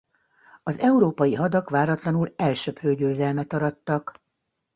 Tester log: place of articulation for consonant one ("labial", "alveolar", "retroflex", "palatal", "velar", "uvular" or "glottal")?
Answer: alveolar